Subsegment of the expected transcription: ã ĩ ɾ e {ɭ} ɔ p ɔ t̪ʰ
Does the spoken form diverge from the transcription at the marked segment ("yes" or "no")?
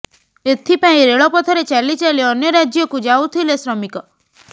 no